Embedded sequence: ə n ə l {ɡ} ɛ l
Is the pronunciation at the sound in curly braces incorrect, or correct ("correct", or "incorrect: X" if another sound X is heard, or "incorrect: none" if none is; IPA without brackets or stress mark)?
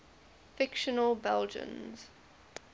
incorrect: b